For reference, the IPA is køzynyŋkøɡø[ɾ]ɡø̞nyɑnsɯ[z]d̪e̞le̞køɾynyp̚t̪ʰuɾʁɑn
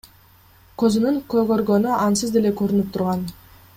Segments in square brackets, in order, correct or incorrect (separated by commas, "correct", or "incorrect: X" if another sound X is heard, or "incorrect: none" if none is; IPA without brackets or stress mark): correct, correct